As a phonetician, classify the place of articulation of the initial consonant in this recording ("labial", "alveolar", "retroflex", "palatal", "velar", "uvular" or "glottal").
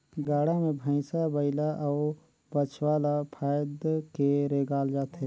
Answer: velar